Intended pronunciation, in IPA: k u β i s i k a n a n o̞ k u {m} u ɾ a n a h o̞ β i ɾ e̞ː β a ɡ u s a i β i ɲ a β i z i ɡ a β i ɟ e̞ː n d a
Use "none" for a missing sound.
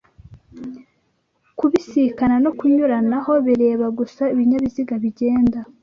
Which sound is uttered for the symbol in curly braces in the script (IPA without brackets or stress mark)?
ɲ